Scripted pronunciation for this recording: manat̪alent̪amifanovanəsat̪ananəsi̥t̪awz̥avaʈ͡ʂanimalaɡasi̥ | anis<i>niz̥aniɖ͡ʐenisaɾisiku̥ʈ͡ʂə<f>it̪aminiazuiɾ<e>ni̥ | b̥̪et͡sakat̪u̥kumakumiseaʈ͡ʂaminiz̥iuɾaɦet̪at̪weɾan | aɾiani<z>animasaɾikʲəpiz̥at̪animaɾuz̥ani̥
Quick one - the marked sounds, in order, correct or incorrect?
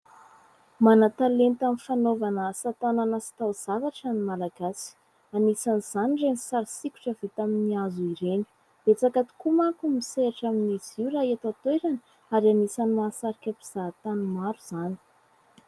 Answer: incorrect: a, incorrect: v, correct, incorrect: s

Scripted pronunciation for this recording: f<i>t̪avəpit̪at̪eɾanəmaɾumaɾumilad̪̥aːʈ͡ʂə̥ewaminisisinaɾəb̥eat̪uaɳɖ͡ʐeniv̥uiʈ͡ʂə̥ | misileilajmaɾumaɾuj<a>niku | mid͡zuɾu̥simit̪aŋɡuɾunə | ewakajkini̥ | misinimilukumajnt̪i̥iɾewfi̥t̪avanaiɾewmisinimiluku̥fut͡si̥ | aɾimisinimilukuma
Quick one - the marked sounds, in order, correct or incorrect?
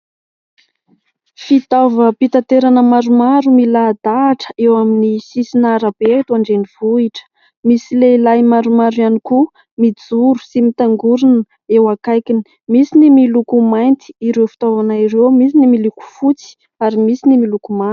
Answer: correct, correct

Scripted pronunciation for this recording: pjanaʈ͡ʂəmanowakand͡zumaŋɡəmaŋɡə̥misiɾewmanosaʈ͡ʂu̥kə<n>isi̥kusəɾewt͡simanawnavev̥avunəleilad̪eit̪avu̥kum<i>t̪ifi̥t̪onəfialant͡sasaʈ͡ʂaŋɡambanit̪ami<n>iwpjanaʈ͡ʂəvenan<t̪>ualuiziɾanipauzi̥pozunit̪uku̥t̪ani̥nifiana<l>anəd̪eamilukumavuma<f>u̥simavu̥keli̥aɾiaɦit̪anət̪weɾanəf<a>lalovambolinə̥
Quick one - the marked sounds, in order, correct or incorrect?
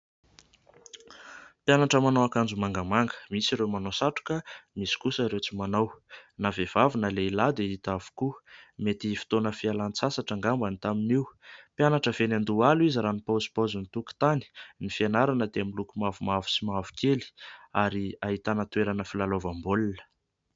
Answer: incorrect: m, incorrect: e, correct, incorrect: d̪, incorrect: ɾ, incorrect: v, incorrect: i

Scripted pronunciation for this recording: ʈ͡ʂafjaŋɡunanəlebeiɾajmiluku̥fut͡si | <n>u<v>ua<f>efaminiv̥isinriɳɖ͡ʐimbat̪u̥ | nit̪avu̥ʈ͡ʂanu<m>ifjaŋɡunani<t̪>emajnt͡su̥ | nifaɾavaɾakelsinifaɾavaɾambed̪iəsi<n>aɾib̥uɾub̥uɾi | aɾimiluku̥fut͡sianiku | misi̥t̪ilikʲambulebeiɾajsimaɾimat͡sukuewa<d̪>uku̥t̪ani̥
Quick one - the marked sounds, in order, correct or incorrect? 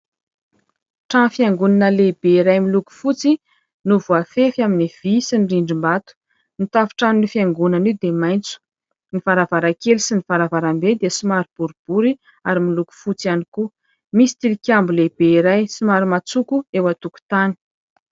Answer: correct, correct, correct, incorrect: n, incorrect: d̪, incorrect: m, incorrect: t̪

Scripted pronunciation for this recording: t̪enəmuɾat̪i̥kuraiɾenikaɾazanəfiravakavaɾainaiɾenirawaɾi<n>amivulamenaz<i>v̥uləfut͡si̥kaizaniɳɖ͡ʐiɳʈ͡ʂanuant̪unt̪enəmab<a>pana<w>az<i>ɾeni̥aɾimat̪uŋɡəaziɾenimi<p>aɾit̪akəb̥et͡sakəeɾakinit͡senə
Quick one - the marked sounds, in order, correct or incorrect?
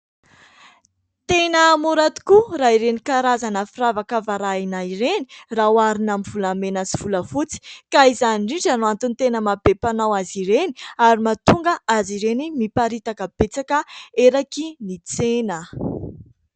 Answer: correct, correct, incorrect: e, correct, correct, correct

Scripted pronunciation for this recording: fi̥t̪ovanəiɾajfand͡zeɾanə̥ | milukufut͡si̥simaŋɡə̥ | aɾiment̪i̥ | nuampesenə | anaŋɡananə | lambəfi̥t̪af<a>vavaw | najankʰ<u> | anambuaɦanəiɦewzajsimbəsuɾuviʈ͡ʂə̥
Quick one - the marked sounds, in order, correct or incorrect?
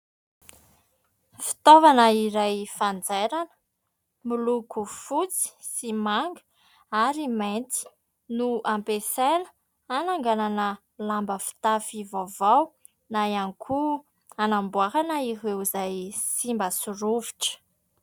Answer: incorrect: i, correct

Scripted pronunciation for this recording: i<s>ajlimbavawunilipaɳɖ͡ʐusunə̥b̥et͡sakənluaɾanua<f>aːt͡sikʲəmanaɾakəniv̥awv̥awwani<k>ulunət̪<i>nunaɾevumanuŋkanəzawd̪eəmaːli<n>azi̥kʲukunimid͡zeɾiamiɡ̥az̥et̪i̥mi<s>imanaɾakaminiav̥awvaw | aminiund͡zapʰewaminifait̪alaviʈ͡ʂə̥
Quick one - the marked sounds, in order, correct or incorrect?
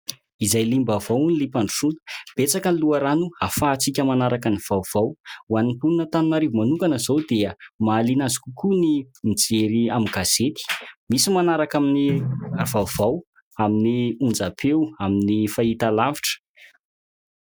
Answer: incorrect: z, correct, incorrect: p, incorrect: a, correct, correct

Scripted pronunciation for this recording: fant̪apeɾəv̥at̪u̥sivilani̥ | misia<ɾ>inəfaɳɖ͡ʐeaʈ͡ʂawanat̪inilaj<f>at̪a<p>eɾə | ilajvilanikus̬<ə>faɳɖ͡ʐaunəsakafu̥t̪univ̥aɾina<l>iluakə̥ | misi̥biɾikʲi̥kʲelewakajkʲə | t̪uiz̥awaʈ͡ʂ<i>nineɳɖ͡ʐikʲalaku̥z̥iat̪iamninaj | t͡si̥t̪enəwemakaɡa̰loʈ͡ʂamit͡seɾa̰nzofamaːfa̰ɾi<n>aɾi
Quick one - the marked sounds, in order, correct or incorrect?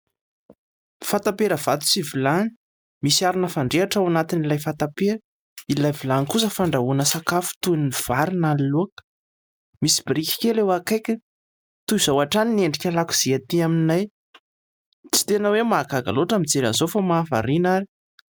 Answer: correct, correct, correct, correct, correct, incorrect: a, correct

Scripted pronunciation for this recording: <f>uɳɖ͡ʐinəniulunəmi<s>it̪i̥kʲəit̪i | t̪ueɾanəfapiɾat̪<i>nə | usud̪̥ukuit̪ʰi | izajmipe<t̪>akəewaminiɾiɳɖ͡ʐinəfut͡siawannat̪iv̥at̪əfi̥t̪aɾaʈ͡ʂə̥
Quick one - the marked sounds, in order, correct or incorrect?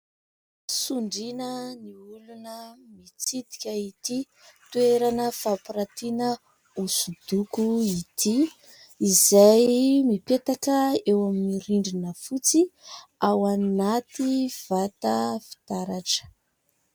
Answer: incorrect: s, incorrect: t͡s, correct, correct

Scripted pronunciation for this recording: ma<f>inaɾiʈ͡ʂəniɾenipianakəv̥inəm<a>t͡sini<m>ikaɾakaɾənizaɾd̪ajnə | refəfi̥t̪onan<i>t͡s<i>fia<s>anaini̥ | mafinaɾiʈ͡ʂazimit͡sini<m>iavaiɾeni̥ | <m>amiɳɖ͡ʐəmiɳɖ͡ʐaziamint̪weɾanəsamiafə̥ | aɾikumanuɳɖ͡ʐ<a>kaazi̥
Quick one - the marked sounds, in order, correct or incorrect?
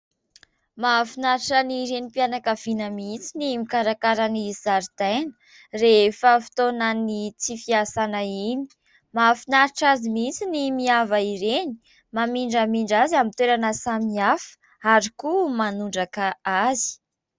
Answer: correct, incorrect: i, correct, correct, correct, correct, correct, correct, correct

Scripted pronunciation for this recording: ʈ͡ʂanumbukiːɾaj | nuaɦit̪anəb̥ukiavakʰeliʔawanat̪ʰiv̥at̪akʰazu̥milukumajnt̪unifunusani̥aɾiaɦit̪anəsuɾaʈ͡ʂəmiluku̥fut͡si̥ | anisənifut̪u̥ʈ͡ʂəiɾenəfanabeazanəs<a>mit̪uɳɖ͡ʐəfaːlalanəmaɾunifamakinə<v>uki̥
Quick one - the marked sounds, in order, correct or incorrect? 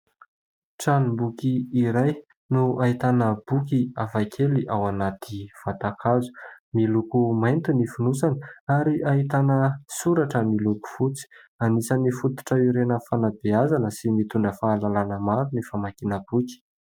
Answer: incorrect: i, incorrect: b

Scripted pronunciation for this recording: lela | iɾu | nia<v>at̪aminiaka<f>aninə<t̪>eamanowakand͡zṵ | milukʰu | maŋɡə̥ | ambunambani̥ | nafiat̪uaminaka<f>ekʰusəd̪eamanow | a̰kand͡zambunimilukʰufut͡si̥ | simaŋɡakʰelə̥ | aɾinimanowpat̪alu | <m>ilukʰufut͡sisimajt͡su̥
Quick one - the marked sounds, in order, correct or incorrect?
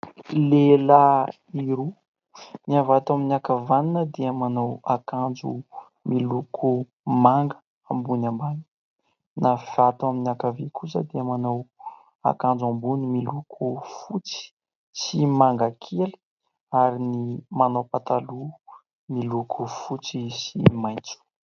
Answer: correct, incorrect: v, incorrect: d̪, incorrect: v, correct

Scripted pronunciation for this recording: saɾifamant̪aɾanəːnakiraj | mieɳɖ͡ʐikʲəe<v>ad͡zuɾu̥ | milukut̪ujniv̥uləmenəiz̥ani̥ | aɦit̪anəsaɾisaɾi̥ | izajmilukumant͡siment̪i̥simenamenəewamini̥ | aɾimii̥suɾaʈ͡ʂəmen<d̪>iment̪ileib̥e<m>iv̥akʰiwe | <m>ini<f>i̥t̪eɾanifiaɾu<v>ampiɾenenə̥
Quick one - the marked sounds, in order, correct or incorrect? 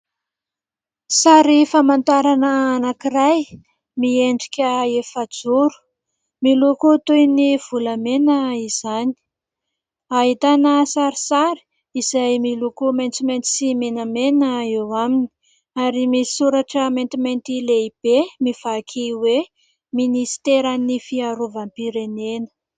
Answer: incorrect: f, incorrect: t̪, correct, correct, incorrect: s, correct

